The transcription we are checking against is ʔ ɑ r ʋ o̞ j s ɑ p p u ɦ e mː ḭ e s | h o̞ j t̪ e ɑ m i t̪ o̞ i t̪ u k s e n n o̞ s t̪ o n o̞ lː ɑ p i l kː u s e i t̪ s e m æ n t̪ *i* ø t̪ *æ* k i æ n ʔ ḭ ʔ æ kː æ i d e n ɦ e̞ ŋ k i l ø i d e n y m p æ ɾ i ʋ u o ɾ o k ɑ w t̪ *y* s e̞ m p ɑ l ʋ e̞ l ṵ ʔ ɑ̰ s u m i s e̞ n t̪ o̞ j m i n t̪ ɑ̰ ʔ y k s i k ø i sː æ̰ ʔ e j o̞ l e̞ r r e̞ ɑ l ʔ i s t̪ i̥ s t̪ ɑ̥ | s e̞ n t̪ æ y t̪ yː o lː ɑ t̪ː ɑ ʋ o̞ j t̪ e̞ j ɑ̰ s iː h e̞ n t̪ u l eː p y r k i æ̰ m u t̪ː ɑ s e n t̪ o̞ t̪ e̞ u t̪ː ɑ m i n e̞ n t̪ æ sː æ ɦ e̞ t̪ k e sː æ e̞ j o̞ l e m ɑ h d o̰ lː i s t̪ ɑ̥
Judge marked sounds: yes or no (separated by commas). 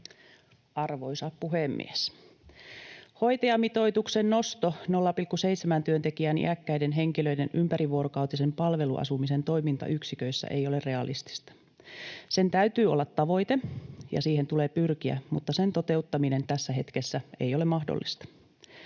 no, no, no